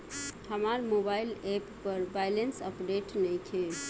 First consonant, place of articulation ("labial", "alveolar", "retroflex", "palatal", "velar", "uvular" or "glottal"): glottal